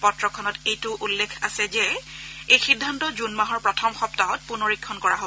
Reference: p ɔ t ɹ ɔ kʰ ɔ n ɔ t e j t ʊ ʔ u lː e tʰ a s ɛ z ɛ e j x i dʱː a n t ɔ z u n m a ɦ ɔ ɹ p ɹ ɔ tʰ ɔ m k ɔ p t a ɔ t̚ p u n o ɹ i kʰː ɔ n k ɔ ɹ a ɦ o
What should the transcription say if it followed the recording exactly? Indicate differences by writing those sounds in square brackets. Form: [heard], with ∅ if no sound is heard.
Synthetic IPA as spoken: p ɔ t ɹ ɔ kʰ ɔ n ɔ t e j t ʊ ʔ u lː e [kʰ] a s ɛ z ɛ e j x i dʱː a n t ɔ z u n m a ɦ ɔ ɹ p ɹ ɔ tʰ ɔ m [x] ɔ p t a ɔ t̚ p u n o ɹ i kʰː ɔ n k ɔ ɹ a ɦ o